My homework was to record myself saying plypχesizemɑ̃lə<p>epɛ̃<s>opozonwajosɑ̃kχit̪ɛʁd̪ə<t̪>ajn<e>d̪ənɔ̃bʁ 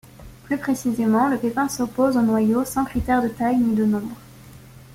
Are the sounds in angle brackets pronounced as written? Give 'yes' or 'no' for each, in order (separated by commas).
yes, yes, yes, no